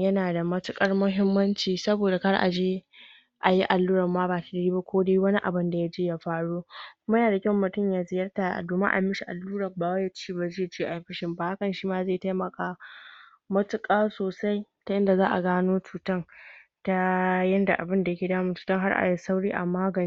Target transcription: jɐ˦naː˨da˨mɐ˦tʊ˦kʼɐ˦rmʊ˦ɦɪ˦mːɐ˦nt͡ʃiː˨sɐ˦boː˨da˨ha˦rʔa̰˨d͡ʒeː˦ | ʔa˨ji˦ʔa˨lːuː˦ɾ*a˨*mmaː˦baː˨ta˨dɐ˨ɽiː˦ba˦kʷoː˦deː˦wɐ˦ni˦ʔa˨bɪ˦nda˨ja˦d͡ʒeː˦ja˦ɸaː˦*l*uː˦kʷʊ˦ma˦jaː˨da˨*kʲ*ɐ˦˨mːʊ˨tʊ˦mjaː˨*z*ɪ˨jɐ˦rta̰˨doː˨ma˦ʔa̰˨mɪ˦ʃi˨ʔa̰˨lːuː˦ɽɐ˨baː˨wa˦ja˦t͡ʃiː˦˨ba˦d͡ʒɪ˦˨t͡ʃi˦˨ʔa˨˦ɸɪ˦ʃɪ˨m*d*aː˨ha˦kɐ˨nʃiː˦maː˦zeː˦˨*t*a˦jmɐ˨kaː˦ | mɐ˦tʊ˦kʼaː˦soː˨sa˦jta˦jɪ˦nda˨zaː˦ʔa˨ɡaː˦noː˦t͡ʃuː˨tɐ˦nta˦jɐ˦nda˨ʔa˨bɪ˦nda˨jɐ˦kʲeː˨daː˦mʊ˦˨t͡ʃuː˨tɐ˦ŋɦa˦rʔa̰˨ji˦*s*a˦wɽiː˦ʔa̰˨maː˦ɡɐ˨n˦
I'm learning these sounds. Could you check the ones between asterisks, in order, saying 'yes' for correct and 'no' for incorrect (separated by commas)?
no, no, yes, yes, no, yes, yes